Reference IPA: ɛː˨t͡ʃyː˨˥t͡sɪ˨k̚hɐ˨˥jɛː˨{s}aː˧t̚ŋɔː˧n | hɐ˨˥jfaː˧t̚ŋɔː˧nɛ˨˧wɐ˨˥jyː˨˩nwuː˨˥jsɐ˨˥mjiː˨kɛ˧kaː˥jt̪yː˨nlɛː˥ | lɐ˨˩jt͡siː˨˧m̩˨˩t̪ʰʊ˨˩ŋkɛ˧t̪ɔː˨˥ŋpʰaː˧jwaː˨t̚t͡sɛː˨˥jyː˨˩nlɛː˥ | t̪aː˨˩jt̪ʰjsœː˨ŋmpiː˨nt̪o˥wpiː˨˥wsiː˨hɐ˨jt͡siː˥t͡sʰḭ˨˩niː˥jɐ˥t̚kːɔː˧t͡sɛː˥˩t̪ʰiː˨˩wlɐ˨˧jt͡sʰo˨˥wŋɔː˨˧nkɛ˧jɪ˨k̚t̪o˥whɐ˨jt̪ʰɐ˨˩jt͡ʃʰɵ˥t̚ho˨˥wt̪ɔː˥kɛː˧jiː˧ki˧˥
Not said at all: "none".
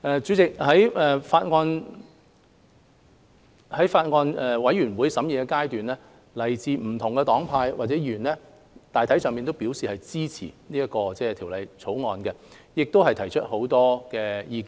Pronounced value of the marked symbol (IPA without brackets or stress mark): f